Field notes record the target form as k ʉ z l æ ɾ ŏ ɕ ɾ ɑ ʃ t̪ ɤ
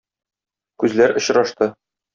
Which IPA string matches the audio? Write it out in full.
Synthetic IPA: k ʉ z l æ ɾ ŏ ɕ ɾ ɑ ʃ t̪ ɤ